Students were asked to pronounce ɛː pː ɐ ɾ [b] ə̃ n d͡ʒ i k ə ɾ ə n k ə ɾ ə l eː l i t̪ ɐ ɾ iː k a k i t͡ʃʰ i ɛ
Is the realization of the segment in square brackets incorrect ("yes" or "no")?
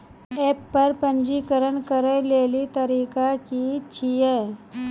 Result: yes